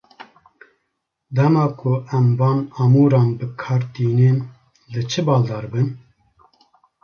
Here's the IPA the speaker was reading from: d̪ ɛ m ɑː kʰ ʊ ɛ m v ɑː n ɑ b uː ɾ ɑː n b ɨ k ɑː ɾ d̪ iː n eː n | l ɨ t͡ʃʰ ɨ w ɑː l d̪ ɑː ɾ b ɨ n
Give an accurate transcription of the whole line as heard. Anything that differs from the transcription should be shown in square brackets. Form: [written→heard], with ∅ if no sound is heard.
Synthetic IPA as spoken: d̪ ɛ m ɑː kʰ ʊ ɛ m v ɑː n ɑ [b→m] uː ɾ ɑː n b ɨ [k→kʰ] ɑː ɾ [d̪→t̪] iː n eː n | l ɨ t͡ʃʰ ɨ [w→b] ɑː l d̪ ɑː ɾ b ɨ n